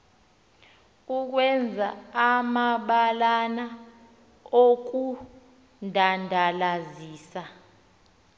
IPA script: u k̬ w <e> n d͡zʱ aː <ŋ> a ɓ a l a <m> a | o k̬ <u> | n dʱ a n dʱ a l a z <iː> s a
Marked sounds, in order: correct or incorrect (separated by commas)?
incorrect, incorrect, incorrect, correct, correct